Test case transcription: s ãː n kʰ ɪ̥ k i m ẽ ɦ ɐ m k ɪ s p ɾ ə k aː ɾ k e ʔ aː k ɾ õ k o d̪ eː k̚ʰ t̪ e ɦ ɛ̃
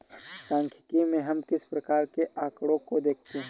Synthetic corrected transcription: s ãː ŋ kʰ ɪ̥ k i m ẽ ɦ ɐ m k ɪ s p ɾ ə k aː ɾ k e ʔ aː k ɽ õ k o d̪ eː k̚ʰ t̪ e ɦ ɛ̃